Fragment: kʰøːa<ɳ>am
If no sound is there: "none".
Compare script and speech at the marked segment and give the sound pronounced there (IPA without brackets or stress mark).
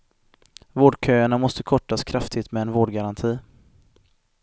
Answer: ɳ